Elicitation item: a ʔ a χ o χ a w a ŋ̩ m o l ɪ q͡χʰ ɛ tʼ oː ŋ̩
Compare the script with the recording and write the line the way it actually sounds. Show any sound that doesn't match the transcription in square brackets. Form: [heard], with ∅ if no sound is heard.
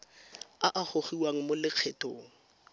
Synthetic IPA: a ʔ a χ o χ [i] w a ŋ̩ m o l ɪ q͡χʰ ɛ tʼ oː ŋ̩

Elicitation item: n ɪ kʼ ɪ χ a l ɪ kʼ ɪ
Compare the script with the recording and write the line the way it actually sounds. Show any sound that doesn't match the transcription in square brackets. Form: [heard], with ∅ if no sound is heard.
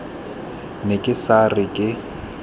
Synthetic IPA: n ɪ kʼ ɪ [s] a [r] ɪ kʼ ɪ

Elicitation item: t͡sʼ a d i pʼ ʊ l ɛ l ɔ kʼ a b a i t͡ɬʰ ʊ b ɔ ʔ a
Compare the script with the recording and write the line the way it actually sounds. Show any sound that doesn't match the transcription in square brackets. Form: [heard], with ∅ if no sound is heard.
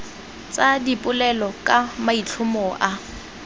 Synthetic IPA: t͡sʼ a d i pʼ ʊ l ɛ l ɔ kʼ a [m] a i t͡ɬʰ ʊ [m] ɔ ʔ a

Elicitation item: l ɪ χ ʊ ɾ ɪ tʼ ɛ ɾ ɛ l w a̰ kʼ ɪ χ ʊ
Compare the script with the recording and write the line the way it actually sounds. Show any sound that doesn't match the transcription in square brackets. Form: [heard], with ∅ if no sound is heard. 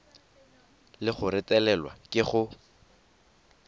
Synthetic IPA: l ɪ χ ʊ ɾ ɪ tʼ ɛ [l] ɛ l w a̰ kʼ ɪ χ ʊ

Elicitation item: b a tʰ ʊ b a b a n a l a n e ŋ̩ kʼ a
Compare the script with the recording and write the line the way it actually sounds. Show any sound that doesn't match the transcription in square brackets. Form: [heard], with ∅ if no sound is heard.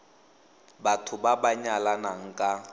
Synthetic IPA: b a tʰ ʊ b a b a [ɲ] a l a n [a] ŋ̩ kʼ a

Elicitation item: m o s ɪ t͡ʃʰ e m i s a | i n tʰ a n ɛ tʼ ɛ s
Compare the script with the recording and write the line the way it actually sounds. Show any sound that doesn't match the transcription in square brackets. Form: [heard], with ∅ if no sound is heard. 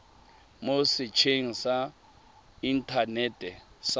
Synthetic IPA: m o s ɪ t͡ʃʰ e [ŋ] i s a | i n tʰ a n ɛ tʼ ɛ s

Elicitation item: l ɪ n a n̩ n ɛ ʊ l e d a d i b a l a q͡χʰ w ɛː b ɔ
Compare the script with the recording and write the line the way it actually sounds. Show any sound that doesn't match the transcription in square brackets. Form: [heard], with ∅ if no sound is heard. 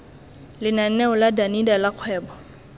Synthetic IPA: l ɪ n a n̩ n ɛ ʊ l [a] d a [n] i [d] a l a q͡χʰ w ɛː b ɔ

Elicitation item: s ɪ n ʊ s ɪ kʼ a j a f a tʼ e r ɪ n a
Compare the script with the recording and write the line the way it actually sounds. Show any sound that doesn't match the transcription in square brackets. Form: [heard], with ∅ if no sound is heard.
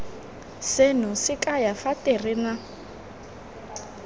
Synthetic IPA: s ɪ n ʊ s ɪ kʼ a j a f a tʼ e r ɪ n a

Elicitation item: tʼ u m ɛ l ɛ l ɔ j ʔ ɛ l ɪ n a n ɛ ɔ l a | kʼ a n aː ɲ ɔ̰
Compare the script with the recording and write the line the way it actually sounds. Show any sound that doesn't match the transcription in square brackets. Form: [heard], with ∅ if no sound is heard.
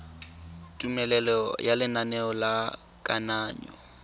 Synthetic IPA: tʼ u m ɛ l ɛ l ɔ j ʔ [a] l ɪ n a n ɛ ɔ l a | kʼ a n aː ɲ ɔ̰

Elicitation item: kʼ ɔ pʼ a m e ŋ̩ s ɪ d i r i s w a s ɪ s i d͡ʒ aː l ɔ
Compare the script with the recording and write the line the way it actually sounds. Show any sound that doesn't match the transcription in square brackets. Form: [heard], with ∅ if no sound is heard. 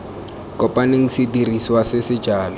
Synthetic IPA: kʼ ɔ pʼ a [n] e ŋ̩ s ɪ d i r i s w a s ɪ s [ɪ] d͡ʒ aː l ɔ

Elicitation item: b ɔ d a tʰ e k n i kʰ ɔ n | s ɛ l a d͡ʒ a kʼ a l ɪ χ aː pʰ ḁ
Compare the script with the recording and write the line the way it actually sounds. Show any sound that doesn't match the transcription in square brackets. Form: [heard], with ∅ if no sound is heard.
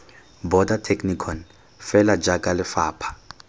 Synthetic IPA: b ɔ d a tʰ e k n i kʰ ɔ n | [f] ɛ l a d͡ʒ a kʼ a l ɪ [f] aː pʰ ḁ

